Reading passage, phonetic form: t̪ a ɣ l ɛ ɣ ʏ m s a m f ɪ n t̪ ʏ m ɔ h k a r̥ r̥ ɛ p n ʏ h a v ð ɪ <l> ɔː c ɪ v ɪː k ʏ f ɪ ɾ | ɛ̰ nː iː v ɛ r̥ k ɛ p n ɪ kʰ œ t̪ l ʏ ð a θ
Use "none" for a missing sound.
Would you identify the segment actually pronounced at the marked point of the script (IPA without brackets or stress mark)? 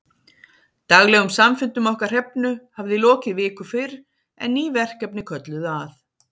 l